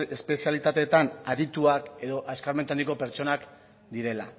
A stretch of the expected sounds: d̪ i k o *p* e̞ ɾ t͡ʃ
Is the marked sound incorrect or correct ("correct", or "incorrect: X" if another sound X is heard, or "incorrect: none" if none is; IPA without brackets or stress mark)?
correct